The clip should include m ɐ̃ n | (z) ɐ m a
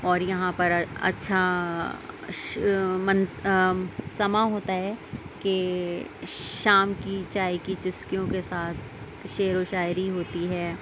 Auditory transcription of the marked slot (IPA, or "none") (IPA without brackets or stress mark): s